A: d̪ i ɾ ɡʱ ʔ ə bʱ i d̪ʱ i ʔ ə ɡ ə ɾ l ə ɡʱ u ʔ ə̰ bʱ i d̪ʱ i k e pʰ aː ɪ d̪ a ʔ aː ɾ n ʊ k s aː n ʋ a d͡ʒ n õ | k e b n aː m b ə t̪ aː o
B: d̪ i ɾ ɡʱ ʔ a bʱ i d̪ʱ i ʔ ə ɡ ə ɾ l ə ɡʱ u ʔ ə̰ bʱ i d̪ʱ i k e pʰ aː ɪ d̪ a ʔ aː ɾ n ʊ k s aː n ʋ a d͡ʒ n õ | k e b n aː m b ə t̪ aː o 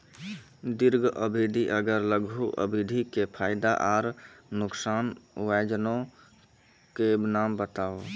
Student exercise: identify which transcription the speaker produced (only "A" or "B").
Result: A